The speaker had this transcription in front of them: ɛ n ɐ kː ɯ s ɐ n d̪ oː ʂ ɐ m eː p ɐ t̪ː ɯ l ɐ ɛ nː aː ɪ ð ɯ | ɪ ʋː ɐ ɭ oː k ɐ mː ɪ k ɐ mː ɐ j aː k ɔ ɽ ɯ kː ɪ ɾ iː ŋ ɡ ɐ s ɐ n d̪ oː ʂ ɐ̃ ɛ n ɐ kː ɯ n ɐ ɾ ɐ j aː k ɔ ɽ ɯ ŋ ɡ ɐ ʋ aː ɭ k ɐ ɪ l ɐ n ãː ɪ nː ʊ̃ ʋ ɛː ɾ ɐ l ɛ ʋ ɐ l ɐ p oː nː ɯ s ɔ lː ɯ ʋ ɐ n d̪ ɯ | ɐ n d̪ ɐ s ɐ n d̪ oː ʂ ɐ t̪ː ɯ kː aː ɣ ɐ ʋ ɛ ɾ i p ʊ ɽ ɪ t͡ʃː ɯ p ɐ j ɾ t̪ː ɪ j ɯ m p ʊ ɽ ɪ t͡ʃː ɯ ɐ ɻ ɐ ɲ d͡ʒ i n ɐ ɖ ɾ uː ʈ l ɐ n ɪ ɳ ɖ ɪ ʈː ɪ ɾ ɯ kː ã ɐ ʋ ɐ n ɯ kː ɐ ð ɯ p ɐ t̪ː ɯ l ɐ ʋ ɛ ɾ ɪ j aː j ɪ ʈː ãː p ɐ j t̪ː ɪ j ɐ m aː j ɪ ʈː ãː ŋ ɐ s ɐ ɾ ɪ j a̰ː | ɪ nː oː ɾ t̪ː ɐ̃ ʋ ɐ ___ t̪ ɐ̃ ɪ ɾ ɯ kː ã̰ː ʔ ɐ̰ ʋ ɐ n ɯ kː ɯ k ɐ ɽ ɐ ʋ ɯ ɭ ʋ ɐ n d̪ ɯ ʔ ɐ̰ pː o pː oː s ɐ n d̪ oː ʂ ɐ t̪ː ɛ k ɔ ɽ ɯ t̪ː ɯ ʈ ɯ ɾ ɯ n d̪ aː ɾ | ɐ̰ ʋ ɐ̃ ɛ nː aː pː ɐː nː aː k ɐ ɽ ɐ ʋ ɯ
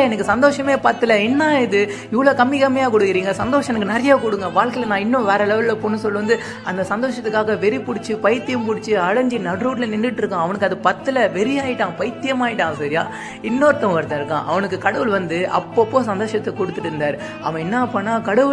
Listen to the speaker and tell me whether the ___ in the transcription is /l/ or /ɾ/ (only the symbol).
ɾ